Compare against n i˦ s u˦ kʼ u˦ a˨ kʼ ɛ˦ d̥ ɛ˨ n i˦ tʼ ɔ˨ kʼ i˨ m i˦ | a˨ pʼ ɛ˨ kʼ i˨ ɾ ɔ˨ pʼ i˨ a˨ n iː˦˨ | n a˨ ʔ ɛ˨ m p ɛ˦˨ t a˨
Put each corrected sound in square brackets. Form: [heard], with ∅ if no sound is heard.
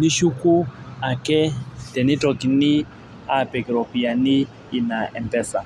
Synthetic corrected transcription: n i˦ [ʃ] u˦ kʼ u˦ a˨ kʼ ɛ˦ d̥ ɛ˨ n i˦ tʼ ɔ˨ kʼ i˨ [n] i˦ | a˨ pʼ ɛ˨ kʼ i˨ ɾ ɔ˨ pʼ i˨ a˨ n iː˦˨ | n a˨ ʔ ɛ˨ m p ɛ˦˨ [s] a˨